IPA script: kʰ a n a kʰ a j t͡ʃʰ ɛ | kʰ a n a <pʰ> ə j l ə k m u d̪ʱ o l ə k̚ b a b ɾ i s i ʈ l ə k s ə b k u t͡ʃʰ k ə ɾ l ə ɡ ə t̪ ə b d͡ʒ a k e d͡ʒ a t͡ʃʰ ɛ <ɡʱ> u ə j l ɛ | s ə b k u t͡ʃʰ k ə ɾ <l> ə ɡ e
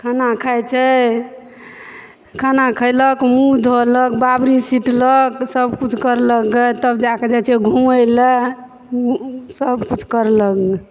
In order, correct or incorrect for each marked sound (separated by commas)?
incorrect, correct, correct